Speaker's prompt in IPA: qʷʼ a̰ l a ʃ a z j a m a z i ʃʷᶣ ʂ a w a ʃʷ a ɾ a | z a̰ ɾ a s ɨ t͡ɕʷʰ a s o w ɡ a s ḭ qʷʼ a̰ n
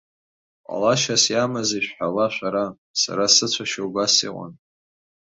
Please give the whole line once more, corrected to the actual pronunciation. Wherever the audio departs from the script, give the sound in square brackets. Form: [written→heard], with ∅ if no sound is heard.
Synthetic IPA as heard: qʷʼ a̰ l a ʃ a [z→s] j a m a z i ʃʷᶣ [ʂ→ħ] a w a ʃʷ a ɾ a | [z→s] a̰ ɾ a s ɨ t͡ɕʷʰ a [s→ʃ] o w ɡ a s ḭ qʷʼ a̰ n

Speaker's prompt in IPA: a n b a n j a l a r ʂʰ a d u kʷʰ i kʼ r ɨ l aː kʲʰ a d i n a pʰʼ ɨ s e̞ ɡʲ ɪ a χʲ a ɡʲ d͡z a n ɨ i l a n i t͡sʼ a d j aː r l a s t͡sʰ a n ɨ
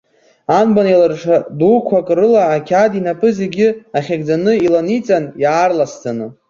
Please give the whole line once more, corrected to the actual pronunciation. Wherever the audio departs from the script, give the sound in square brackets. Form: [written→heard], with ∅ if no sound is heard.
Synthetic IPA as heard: a n b a n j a l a r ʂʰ a d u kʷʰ [i→a] kʼ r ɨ l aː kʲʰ a d i n a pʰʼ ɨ [s→z] e̞ ɡʲ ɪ a χʲ a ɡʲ d͡z a n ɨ i l a n i t͡sʼ a [d→n] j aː r l a s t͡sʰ a n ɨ

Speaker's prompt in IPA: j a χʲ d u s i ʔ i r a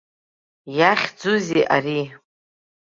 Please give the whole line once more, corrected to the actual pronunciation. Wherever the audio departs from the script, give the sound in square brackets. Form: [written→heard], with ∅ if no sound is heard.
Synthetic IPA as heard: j a χʲ [d→d͡z] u [s→z] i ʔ [i→a] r [a→i]

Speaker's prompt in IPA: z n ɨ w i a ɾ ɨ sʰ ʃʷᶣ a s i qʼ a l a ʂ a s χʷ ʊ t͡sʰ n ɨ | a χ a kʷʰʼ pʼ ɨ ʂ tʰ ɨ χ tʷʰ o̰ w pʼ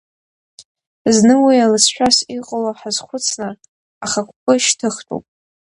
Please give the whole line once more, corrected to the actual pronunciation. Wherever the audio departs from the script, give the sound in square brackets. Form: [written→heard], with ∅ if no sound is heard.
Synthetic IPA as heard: z n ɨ w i a [ɾ→l] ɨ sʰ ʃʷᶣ a s i qʼ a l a [ʂ→ħ] a [s→z] χʷ ʊ t͡sʰ n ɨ | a χ a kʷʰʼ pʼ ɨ [ʂ→ʃ] tʰ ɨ χ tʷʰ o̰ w pʼ

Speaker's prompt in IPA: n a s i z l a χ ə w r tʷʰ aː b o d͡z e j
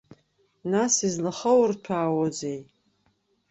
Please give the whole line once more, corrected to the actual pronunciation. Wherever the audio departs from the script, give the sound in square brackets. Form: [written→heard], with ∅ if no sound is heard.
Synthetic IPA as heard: n a s i z l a χ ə w r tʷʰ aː [b→w] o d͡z e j

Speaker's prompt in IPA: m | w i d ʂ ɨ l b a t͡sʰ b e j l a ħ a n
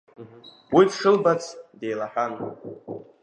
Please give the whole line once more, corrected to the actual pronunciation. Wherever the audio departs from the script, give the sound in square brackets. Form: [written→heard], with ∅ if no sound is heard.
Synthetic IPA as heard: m | w i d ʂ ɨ l b a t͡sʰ [b→d] e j l a ħ a n

